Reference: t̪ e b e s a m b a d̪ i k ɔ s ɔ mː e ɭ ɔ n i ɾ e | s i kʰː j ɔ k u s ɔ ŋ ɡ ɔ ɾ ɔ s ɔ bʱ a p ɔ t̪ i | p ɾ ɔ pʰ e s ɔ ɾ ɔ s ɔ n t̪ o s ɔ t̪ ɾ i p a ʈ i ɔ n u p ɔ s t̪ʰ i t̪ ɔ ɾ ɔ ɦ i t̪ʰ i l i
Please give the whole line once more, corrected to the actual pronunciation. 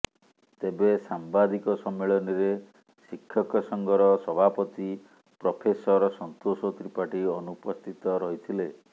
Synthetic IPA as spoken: t̪ e b e s a m b a d̪ i k ɔ s ɔ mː e ɭ ɔ n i ɾ e | s i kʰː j ɔ k ɔ s ɔ ŋ ɡ ɔ ɾ ɔ s ɔ bʱ a p ɔ t̪ i | p ɾ ɔ pʰ e s ɔ ɾ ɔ s ɔ n t̪ o s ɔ t̪ ɾ i p a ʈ i ɔ n u p ɔ s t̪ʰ i t̪ ɔ ɾ ɔ ɦ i t̪ʰ i l e